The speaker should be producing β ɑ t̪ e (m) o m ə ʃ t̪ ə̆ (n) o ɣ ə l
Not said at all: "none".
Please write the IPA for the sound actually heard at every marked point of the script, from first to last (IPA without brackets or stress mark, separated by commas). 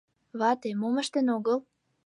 m, n